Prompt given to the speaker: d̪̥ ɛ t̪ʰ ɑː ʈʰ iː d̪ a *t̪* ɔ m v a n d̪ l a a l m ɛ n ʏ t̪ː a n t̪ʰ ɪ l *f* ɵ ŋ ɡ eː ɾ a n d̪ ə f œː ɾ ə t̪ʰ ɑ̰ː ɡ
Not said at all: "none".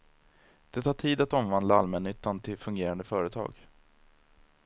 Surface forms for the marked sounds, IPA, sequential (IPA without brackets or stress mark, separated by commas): t̪, f